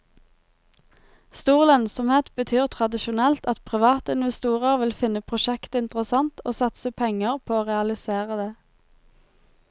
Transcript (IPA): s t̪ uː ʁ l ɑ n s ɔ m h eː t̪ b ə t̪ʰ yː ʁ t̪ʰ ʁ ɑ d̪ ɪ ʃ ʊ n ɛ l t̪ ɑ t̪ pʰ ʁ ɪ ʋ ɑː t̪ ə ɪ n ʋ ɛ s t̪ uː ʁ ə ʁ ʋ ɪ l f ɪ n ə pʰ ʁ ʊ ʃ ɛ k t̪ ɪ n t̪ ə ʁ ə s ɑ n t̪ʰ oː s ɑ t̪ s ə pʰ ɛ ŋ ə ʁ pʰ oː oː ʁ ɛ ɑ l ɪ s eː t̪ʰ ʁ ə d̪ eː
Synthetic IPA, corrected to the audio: s t̪ uː ʁ l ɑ n s ɔ m h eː t̪ b ə t̪ʰ yː ʁ t̪ʰ ʁ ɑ d̪ ɪ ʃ ʊ n ɛ l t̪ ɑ t̪ pʰ ʁ ɪ ʋ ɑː t̪ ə ɪ n ʋ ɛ s t̪ uː ʁ ə ʁ ʋ ɪ l f ɪ n ə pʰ ʁ ʊ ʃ ɛ k t̪ ɪ n t̪ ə ʁ ə s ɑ n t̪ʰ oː s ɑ t̪ s ə pʰ ɛ ŋ ə ʁ pʰ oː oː ʁ ɛ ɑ l ɪ s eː ʁ ə d̪ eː